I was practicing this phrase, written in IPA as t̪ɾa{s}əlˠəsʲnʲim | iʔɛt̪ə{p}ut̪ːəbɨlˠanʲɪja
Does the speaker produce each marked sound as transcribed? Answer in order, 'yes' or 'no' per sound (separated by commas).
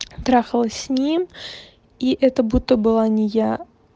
no, no